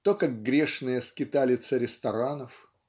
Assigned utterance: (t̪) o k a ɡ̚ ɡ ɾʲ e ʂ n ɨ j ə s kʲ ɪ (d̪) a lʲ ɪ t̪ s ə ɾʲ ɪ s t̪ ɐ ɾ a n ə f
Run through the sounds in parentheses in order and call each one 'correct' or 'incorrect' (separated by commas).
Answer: correct, incorrect